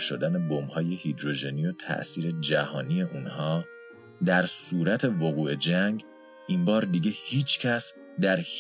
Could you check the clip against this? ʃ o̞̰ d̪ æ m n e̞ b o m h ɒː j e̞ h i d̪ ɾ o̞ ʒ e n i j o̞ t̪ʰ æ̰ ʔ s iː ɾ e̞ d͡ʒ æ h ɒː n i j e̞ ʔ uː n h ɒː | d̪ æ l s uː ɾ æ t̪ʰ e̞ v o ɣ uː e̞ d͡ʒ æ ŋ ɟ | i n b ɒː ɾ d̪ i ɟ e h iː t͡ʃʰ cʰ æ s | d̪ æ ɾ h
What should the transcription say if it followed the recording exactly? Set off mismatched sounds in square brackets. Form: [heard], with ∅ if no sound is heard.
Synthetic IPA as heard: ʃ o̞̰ d̪ æ [∅] n e̞ b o m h ɒː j e̞ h i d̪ ɾ o̞ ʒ e n i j o̞ t̪ʰ æ̰ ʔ s iː ɾ e̞ d͡ʒ æ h ɒː n i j e̞ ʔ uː n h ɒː | d̪ æ [ɾ] s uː ɾ æ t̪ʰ e̞ v o ɣ uː e̞ d͡ʒ æ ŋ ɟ | i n b ɒː ɾ d̪ i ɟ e h iː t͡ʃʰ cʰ æ s | d̪ æ ɾ h